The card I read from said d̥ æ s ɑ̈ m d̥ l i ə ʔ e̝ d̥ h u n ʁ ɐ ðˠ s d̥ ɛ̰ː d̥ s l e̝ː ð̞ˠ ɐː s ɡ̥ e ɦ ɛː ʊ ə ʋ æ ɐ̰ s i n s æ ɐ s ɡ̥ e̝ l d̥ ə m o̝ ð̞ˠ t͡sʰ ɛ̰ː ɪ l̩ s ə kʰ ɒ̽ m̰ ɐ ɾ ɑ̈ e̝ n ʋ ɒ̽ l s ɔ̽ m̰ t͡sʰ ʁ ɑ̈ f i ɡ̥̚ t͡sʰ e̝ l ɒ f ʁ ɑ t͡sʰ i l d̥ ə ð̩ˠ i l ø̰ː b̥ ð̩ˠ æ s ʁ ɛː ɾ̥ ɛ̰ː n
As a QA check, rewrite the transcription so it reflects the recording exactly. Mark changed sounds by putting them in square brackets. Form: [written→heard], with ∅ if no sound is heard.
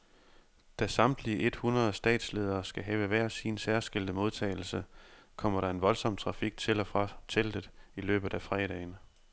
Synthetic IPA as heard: d̥ æ s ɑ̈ m d̥ l i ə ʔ e̝ d̥ h u n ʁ ɐ ðˠ s d̥ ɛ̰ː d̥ s l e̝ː ð̞ˠ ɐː s ɡ̥ [e→æ] ɦ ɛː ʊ ə ʋ æ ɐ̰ s i n s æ ɐ s ɡ̥ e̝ l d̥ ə m o̝ ð̞ˠ t͡sʰ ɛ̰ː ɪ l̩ s ə kʰ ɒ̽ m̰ ɐ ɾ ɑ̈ e̝ n ʋ ɒ̽ l s [ɔ̽→ɒ̽] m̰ t͡sʰ ʁ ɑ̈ f i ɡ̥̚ t͡sʰ e̝ l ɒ f ʁ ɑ t͡sʰ [i→e] l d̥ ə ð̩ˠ i l ø̰ː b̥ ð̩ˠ æ [s→f] ʁ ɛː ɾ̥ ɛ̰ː n